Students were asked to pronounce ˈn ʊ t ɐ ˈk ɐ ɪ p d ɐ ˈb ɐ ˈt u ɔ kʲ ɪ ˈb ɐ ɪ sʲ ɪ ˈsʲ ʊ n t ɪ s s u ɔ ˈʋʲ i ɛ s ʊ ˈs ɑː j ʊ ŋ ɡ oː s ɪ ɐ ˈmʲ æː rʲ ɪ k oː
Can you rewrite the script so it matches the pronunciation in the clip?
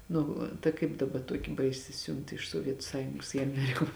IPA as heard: ˈn ʊ t ɐ ˈk ɐ ɪ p d ɐ ˈb ɐ ˈt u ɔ kʲ ɪ ˈb ɐ ɪ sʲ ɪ ˈsʲ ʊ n t ɪ ʃ s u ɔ ˈʋʲ i ɛ t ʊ ˈs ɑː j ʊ ŋ ɡ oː s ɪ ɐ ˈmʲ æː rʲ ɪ k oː